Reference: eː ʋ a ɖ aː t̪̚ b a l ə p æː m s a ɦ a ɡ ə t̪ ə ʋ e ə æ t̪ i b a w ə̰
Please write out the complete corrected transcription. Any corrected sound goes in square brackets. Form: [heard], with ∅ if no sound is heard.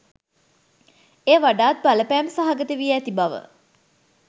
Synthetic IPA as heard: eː ʋ a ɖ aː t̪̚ b a l ə p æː m s a ɦ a ɡ ə t̪ ə ʋ [i] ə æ t̪ i b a [ʋ] ə̰

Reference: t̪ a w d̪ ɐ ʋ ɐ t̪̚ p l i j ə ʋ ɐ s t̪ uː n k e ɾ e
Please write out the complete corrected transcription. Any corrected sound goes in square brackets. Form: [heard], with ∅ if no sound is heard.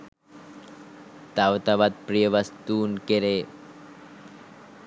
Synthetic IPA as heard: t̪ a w [t̪] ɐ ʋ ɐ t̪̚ p [ɾ] i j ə ʋ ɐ s t̪ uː n k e ɾ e

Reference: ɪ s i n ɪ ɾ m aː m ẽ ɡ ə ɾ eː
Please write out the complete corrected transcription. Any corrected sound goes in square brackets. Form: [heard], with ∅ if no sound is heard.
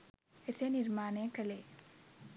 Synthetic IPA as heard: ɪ s [e] n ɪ ɾ m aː [n] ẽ [k] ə [l] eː

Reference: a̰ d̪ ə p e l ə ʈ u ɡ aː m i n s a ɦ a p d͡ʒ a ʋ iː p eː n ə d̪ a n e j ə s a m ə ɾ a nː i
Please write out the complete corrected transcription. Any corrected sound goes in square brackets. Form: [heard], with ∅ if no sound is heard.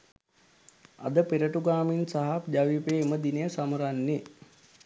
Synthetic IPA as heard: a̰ d̪ ə p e [ɾ] ə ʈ u ɡ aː m i n s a ɦ a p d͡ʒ a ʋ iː p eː [m] ə d̪ [i] n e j ə s a m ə ɾ a nː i

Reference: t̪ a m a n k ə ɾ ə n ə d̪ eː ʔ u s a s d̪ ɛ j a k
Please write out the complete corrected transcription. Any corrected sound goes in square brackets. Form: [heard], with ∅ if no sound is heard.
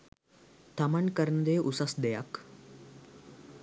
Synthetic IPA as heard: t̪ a m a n k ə ɾ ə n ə d̪ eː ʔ u s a s d̪ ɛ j a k

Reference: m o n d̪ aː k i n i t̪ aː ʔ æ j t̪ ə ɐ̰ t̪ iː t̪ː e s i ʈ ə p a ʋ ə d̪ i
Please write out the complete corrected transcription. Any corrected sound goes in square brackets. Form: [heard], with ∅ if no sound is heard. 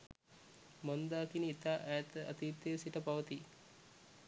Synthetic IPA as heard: m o n d̪ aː k i n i t̪ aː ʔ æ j t̪ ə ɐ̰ t̪ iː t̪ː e s i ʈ ə p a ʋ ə [t̪] i

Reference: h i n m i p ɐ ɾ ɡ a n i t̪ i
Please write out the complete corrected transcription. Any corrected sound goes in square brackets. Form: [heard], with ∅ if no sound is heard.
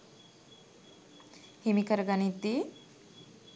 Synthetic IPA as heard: h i [∅] m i [k] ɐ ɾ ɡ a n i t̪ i

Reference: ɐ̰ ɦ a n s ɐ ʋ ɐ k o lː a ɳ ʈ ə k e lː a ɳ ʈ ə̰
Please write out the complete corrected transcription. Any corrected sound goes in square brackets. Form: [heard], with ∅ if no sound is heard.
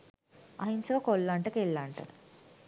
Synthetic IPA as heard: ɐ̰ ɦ [i] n s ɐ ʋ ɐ k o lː a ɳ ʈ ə k e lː a ɳ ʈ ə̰

